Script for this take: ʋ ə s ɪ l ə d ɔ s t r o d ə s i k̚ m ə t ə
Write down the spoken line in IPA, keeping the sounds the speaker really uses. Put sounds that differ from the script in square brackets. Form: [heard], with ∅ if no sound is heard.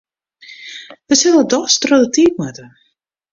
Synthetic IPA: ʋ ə s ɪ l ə d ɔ s t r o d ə [t] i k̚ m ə t ə